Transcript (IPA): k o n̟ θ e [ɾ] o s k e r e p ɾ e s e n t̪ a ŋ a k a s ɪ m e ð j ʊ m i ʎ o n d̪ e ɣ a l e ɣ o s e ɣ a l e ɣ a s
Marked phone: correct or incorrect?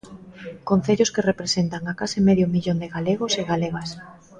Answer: incorrect